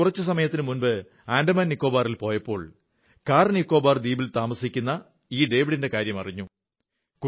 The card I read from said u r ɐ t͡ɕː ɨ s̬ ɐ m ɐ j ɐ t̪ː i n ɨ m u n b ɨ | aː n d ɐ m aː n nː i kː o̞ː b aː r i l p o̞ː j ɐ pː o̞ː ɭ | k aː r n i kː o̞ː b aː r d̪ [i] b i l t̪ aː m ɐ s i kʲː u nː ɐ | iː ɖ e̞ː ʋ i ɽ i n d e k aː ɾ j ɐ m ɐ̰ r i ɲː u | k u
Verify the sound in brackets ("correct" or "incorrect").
incorrect